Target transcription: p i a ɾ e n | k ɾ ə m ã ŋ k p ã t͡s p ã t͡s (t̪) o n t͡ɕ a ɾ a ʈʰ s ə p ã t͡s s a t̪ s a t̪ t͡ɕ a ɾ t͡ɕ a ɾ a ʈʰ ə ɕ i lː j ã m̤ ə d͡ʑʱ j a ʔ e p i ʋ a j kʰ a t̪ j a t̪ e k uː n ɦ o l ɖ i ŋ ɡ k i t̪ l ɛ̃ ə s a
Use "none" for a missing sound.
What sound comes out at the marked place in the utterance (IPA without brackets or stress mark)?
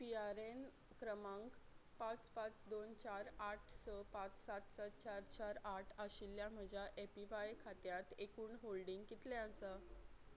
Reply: d̪